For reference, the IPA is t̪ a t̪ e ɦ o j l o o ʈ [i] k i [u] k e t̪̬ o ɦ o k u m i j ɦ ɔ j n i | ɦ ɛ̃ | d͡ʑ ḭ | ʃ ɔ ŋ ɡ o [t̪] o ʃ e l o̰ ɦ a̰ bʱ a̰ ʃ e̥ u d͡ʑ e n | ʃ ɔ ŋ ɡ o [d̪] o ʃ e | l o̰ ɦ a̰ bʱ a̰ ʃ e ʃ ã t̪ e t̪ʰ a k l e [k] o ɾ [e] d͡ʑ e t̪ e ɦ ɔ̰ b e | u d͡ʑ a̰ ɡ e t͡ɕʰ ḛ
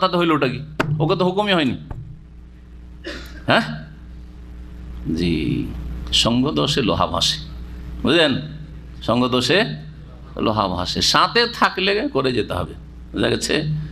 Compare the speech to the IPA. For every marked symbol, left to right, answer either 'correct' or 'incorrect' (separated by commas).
incorrect, incorrect, incorrect, correct, correct, correct